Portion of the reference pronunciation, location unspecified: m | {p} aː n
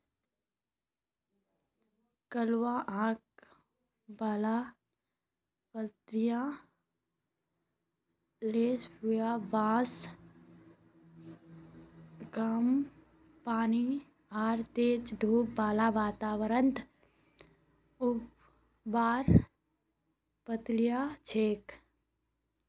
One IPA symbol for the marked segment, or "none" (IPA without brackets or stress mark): p